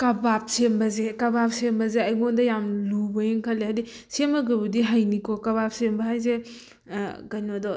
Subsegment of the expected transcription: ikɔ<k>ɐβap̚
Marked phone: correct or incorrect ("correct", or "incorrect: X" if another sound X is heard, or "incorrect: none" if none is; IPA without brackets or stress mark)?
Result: correct